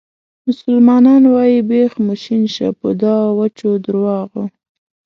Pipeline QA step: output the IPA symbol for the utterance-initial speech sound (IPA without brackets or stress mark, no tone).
m